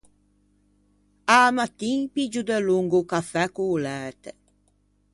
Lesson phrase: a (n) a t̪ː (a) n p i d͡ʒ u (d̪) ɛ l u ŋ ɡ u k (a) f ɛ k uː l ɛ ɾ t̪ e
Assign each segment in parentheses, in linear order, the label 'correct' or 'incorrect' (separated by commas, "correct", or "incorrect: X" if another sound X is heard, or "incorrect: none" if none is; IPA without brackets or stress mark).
incorrect: m, incorrect: i, correct, correct